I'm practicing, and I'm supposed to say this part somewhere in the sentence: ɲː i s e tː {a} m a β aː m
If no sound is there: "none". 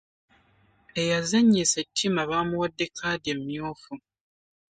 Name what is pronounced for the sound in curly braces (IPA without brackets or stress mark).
i